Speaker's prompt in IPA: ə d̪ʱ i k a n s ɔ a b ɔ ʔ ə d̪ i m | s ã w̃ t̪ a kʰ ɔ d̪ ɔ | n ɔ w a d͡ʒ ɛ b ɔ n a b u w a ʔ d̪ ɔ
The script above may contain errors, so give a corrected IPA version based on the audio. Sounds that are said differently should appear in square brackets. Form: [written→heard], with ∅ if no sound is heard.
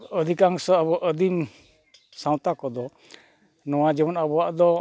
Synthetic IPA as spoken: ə d̪ʱ i k a [n→ŋ] s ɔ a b ɔ ʔ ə d̪ i m | s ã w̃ t̪ a [kʰ→k] ɔ d̪ ɔ | n ɔ w a d͡ʒ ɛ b ɔ n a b [u→ɔ] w a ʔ d̪ ɔ